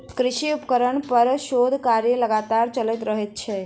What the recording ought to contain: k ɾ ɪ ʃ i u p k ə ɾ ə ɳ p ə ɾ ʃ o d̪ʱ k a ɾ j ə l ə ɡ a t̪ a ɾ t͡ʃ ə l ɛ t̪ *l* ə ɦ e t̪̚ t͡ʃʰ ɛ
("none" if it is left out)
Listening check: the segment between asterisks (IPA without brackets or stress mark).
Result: ɾ